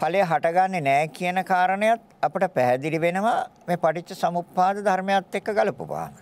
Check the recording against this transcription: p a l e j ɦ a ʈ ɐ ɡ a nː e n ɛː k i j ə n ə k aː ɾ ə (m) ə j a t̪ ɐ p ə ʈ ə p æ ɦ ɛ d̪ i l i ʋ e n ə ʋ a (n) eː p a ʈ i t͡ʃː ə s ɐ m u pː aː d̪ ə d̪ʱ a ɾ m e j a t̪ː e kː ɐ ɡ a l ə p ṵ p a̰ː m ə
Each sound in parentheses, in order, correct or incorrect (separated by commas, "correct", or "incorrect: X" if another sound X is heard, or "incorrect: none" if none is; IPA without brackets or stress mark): incorrect: n, incorrect: m